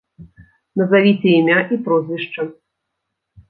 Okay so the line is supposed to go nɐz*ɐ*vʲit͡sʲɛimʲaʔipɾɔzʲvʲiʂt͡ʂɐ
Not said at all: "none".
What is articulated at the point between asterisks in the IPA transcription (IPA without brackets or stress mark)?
a